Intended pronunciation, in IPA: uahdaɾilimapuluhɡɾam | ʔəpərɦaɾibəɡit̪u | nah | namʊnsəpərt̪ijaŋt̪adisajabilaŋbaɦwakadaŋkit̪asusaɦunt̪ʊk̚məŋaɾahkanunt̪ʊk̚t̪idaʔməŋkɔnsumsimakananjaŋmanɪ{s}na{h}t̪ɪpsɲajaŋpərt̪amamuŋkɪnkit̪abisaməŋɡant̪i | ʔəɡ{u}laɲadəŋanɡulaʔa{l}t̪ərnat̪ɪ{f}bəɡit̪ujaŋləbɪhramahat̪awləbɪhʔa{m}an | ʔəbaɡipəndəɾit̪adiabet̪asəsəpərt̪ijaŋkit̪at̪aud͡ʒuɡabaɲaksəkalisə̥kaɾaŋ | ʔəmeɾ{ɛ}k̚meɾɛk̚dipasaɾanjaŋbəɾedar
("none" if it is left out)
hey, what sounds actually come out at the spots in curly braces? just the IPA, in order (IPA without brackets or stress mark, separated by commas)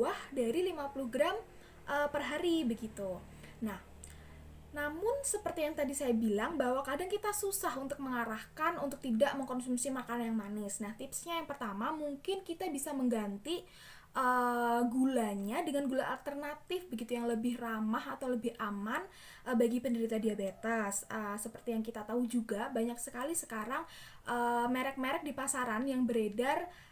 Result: s, h, u, l, f, m, ɛ